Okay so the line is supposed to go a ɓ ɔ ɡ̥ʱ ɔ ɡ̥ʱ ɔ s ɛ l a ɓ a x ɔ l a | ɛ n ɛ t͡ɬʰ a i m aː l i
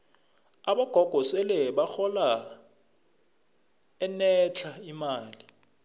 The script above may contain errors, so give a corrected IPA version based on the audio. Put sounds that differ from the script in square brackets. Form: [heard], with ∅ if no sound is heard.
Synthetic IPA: a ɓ ɔ ɡ̥ʱ ɔ ɡ̥ʱ ɔ s ɛ l [ɛ] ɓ a x ɔ l a | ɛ n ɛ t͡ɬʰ a i m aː l i

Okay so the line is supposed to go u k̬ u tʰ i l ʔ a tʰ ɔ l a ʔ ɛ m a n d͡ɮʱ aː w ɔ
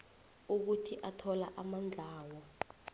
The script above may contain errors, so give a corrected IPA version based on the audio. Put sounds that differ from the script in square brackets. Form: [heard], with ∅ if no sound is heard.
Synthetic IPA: u k̬ u tʰ i [∅] ʔ a tʰ ɔ l a ʔ [a] m a n d͡ɮʱ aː w ɔ

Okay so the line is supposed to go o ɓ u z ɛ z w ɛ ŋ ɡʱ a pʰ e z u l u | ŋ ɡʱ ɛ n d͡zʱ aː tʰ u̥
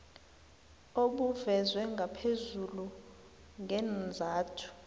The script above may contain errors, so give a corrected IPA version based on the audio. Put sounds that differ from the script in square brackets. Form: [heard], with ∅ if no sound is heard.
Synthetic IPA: o ɓ u [v] ɛ z w ɛ ŋ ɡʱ a pʰ e z u l u | ŋ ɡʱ ɛ n d͡zʱ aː tʰ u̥

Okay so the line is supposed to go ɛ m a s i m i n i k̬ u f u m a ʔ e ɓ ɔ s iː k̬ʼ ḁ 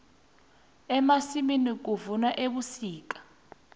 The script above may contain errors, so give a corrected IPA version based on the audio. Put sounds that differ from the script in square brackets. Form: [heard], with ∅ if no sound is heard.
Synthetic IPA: ɛ m a s i m i n i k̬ u [v] u [n] a ʔ e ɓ [u] s iː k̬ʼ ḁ

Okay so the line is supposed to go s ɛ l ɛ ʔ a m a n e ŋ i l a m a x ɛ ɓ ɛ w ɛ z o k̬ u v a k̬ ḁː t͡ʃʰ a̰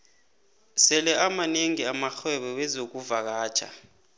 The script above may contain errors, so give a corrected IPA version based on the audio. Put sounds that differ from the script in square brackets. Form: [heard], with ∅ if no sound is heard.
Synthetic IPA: s ɛ l ɛ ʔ a m a n e ŋ i [∅] a m a x ɛ ɓ ɛ w ɛ z o k̬ u v a k̬ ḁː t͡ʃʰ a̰

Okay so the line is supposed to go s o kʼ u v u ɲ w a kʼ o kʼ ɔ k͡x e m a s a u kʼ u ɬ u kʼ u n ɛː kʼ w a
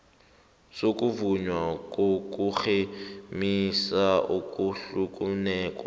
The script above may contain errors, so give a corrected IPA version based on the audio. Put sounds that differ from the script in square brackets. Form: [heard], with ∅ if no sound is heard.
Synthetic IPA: s o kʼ u v u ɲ w a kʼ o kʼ [u] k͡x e m [i] s a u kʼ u ɬ u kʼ u n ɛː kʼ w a

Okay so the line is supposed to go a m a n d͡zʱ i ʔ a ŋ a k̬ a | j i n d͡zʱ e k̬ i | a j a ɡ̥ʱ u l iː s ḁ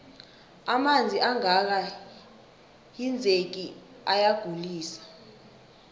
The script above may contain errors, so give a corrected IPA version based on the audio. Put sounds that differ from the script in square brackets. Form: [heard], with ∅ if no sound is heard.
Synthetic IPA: a m a n d͡zʱ i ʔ a ŋ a k̬ a | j i n d͡zʱ e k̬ i | a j a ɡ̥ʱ u l iː s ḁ

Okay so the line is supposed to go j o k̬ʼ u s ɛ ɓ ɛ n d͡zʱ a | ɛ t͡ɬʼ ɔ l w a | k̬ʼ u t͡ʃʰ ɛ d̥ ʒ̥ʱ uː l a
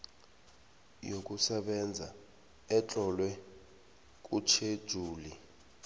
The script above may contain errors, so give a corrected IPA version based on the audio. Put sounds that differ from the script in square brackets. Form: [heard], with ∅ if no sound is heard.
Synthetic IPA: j o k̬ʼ u s ɛ ɓ ɛ n d͡zʱ a | ɛ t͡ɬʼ ɔ l w [ɛ] | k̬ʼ u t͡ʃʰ [e] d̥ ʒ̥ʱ uː l [i]

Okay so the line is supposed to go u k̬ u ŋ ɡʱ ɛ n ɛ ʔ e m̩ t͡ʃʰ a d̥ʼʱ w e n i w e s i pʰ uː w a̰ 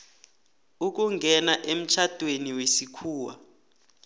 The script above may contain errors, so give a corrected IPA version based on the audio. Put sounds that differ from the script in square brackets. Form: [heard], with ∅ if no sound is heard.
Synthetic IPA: u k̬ u ŋ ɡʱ ɛ n [a] ʔ e m̩ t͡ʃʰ a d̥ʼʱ w e n i w e s i [kʰ] uː w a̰

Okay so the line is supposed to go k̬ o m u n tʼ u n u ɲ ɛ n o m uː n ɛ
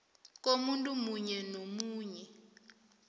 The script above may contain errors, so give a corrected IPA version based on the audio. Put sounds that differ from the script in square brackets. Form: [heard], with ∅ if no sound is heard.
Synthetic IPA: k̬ o m u n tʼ u [m] u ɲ ɛ n o m uː [ɲ] ɛ

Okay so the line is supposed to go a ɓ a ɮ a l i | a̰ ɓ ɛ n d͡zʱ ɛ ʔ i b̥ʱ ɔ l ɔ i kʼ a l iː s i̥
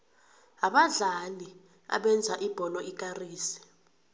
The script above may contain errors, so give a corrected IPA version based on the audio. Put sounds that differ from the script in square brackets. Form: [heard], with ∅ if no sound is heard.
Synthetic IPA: a ɓ a ɮ a l i | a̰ ɓ ɛ n d͡zʱ [a] ʔ i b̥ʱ ɔ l ɔ i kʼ a [r] iː s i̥

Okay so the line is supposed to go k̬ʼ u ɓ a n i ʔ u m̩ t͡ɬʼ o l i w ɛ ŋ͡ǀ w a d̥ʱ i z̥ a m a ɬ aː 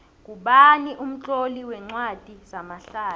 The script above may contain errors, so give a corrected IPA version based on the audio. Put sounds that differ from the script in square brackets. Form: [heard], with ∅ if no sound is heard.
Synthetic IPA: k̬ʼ u ɓ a n i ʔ u m̩ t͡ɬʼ o l i w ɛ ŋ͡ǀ w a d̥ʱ i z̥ a m a ɬ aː

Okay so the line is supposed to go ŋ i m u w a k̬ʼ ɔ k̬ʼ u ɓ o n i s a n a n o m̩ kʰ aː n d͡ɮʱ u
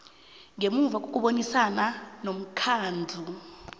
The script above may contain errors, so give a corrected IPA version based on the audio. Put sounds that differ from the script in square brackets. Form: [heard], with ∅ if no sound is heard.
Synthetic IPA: ŋ [e] m u [v] a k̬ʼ [o] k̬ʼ u ɓ o n i s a n a n o m̩ kʰ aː n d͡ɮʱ u

